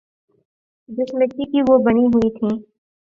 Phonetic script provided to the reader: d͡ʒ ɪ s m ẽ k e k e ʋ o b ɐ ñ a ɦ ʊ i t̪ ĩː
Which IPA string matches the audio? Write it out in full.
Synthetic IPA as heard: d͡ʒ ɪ s m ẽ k i k i ʋ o b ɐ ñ i ɦ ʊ i t̪ʰ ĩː

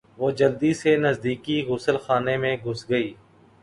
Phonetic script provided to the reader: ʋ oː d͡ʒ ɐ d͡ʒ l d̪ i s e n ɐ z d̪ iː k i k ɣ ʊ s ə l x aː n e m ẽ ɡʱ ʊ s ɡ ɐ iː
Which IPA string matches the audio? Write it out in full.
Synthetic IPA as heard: ʋ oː d͡ʒ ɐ l d̪ i s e n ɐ z d̪ iː k i ɣ ʊ s ə l x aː n e m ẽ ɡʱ ʊ s ɡ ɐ iː

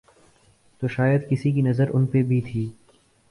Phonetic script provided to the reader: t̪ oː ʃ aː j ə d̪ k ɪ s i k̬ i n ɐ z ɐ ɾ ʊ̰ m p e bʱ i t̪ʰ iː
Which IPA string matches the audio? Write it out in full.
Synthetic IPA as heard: t̪ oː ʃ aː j ə d̪ k ɪ s i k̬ i n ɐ z ə ɾ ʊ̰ n p e bʱ i t̪ʰ iː

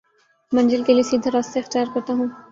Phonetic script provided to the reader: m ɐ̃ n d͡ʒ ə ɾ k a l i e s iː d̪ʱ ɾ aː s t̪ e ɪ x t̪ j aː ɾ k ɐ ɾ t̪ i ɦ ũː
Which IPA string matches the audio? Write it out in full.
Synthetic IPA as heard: m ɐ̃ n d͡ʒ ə l k e l i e s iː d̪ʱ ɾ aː s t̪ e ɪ x t̪ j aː ɾ k ɐ ɾ t̪ a ɦ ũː

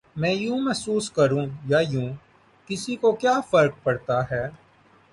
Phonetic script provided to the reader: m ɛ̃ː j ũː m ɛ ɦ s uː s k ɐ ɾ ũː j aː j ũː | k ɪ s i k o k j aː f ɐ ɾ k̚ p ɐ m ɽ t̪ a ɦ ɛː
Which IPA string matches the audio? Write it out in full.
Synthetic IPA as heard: m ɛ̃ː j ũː m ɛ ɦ s uː s k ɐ ɾ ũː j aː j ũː | k ɪ s i k o k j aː f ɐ ɾ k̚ p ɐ ɽ t̪ a ɦ ɛː

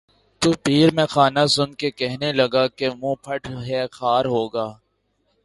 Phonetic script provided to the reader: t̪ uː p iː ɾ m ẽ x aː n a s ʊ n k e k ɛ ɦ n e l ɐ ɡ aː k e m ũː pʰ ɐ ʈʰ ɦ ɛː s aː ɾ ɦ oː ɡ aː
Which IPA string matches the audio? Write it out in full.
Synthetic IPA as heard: t̪ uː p iː ɾ m ẽ x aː n a s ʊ n k e k ɛ ɦ n e l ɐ ɡ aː k e m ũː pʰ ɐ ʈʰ ɦ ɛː x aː ɾ ɦ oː ɡ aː

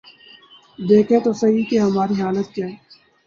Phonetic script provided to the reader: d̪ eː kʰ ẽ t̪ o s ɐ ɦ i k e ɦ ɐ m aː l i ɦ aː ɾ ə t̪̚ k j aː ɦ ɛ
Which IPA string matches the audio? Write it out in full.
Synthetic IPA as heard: d̪ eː kʰ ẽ t̪ o s ɐ ɦ i k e ɦ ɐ m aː ɾ i ɦ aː l ə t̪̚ k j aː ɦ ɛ

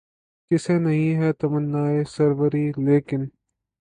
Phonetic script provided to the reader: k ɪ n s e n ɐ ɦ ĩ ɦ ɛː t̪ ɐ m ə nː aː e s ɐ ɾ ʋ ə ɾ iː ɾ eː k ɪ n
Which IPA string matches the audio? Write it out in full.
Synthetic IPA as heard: k ɪ s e n ɐ ɦ ĩ ɦ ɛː t̪ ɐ m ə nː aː e s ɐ ɾ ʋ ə ɾ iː l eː k ɪ n

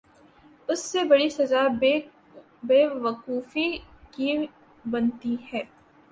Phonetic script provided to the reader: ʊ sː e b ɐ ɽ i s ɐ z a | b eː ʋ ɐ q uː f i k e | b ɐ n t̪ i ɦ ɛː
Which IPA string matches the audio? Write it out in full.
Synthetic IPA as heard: ʊ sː e b ɐ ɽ i s ɐ z a | b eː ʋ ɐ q uː f i k i | b ɐ n t̪ i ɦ ɛː

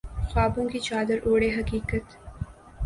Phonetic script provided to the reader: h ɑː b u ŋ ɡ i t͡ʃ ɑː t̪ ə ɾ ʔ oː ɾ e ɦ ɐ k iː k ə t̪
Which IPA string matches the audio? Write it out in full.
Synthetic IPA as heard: x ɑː b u ŋ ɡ i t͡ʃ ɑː d̪ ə ɾ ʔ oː ɽ e ɦ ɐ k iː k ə t̪

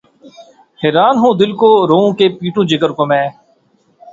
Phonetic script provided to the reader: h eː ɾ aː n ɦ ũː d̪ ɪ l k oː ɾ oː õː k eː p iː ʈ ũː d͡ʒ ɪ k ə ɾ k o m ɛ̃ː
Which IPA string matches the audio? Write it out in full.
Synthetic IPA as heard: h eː ɾ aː n ɦ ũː d̪ ɪ l k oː ɾ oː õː k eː p iː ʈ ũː d͡ʒ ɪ k ə ɾ k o m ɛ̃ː

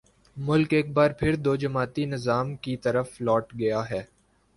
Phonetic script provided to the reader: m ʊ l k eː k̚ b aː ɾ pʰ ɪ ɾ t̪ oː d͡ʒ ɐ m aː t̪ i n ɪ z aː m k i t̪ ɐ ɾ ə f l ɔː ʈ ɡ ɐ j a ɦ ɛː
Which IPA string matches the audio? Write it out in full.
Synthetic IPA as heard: m ʊ l k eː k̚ b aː ɾ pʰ ɪ ɾ d̪ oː d͡ʒ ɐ m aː t̪ i n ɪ z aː m k i t̪ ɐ ɾ ə f l ɔː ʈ ɡ ɐ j a ɦ ɛː

